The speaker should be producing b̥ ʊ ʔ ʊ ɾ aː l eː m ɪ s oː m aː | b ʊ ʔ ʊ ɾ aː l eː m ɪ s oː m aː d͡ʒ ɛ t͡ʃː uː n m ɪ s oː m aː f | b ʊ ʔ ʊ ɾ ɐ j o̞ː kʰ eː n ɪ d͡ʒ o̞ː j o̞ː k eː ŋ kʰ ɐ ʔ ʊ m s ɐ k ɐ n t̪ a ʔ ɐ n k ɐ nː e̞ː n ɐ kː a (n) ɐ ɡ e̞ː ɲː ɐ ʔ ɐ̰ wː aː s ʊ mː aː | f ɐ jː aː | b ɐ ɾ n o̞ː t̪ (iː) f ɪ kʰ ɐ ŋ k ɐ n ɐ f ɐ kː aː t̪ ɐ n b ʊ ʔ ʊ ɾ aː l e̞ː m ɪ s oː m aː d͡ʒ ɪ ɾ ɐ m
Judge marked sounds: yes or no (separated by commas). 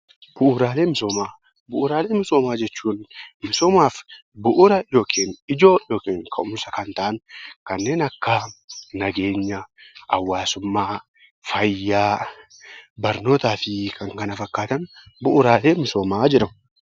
yes, no